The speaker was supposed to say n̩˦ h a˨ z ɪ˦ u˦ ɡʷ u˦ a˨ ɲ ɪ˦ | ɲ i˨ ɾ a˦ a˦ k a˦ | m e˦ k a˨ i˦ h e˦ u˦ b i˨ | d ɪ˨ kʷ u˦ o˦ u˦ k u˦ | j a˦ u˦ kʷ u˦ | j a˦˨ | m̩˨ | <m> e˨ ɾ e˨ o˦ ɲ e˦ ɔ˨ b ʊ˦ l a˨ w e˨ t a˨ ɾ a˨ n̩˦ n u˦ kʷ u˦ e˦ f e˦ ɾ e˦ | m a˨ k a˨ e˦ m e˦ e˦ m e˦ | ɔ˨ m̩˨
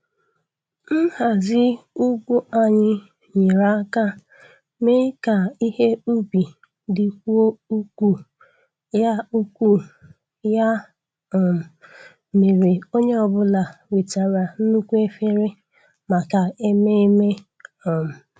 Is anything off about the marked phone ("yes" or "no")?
no